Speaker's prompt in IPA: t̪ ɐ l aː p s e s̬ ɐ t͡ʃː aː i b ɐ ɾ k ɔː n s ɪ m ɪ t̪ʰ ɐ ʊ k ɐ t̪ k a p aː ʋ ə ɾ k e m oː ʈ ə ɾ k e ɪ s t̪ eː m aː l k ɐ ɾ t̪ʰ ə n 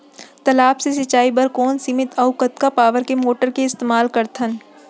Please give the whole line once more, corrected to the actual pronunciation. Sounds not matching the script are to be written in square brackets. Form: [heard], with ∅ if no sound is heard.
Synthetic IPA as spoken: t̪ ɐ l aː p s e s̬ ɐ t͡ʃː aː i b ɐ ɾ k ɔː n s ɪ m ɪ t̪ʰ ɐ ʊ k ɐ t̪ k a p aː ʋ ə ɾ k e m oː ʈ ə ɾ k e ɪ s t̪ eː m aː l k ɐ ɾ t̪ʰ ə n